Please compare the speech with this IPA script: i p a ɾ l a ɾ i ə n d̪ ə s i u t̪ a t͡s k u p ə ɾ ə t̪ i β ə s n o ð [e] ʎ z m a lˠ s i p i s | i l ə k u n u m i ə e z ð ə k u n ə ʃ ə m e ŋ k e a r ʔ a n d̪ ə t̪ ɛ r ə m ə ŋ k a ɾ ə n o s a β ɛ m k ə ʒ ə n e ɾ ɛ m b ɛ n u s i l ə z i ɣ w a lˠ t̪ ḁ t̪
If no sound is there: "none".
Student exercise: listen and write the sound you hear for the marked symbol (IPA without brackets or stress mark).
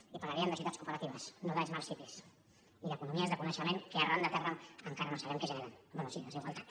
a